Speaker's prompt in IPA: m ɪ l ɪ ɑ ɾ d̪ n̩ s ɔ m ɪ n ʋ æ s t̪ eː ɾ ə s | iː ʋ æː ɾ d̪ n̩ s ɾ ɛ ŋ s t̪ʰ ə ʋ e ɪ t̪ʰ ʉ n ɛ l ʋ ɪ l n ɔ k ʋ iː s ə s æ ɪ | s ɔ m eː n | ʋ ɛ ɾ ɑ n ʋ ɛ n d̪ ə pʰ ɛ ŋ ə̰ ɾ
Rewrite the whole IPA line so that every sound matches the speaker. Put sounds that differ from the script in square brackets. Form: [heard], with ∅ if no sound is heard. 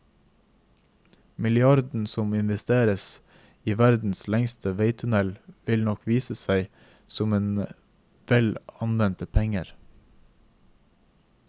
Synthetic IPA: m ɪ l ɪ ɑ ɾ d̪ n̩ s ɔ m ɪ n ʋ [ɛ] s t̪ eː ɾ ə s | iː ʋ [æ] ɾ d̪ n̩ s [l] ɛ ŋ s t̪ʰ ə ʋ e ɪ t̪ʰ ʉ n ɛ l ʋ ɪ l n ɔ k ʋ iː s ə s æ ɪ | s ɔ m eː n | ʋ ɛ [l] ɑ n ʋ ɛ n [t̪] ə pʰ ɛ ŋ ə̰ ɾ